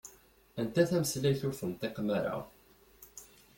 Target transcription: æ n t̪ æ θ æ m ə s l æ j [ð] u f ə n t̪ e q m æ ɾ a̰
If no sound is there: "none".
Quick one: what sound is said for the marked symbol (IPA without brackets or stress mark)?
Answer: θ